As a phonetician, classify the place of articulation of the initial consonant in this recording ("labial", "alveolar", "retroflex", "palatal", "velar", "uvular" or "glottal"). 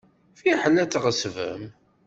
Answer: labial